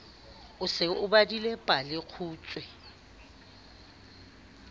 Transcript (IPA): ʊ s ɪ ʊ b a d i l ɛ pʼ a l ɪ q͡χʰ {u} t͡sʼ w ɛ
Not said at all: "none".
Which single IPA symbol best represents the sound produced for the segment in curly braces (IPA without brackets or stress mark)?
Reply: uː